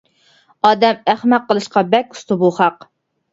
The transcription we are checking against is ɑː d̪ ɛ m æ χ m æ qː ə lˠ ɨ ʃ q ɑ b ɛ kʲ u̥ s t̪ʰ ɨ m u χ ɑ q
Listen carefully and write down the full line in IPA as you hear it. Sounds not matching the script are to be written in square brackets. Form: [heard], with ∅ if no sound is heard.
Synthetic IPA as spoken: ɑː d̪ ɛ m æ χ m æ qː ə lˠ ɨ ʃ q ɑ b ɛ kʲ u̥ s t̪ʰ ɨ [b] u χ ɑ q